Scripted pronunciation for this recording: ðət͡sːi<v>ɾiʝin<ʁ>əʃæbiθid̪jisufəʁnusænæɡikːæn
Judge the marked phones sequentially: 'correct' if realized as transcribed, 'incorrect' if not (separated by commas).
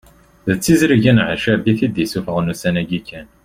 incorrect, incorrect